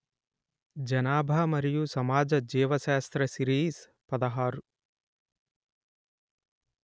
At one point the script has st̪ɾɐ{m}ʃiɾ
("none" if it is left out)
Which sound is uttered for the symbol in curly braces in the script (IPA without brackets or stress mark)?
none